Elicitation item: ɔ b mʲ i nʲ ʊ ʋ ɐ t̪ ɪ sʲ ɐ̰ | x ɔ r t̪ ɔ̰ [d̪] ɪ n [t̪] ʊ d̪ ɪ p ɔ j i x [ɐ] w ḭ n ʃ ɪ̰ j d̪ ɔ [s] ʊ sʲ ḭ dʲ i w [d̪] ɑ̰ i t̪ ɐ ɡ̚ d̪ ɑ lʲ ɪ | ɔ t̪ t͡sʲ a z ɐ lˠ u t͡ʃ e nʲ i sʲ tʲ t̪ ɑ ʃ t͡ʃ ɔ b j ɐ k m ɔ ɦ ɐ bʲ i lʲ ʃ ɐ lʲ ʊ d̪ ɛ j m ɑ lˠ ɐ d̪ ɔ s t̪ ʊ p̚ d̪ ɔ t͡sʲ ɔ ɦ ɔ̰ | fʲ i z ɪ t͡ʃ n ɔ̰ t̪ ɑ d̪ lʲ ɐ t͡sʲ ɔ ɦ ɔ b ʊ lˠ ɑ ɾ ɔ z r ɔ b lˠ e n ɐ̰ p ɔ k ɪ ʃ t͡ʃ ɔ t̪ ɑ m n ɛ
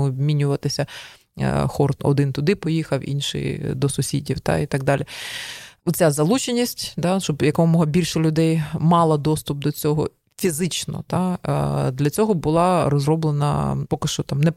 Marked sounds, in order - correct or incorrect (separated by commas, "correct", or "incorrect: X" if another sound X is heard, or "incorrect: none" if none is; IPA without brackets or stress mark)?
correct, correct, correct, correct, incorrect: t̪